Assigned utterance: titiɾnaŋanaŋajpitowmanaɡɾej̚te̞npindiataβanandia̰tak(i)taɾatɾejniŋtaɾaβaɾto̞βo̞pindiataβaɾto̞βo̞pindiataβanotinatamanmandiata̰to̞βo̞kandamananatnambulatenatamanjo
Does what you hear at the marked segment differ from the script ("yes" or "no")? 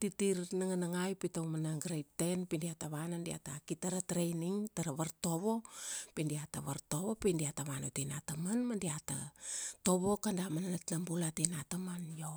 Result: no